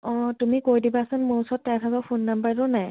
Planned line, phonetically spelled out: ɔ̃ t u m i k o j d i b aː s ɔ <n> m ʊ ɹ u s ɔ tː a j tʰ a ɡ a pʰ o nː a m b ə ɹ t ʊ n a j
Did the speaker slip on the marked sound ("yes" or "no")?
no